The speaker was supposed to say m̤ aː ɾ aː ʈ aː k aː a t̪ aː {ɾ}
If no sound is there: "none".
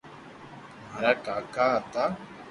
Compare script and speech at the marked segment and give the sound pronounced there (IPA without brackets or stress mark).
none